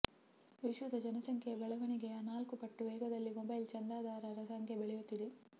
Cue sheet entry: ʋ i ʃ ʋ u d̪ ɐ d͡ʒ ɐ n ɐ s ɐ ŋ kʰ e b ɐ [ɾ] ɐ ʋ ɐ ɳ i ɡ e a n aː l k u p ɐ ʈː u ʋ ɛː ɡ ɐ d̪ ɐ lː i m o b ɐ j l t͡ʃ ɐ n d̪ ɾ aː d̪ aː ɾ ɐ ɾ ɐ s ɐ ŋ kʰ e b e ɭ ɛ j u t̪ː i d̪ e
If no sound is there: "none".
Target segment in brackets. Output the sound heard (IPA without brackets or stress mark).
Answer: ɭ